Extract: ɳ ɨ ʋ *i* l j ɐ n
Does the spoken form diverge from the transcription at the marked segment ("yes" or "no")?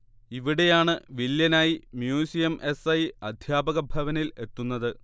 no